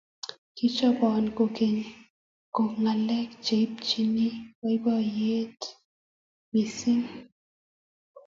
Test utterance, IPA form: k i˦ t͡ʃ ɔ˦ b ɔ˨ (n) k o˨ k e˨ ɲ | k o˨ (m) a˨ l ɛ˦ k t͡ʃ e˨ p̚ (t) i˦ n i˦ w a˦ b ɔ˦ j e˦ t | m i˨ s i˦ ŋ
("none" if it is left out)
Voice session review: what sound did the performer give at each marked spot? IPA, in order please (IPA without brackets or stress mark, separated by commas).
n, ŋ, t͡ʃ